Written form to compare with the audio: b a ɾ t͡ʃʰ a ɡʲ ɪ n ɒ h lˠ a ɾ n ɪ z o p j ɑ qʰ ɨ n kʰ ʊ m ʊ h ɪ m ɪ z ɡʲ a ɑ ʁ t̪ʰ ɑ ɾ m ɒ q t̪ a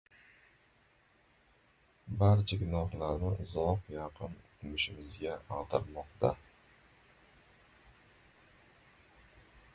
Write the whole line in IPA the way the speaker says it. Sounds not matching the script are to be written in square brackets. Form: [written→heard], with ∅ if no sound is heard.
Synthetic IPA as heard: b a ɾ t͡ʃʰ a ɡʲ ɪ n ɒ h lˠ a ɾ n ɪ z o [p→q] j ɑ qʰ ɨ n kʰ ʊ m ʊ [h→ʃ] ɪ m ɪ z ɡʲ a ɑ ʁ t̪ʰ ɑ ɾ m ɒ q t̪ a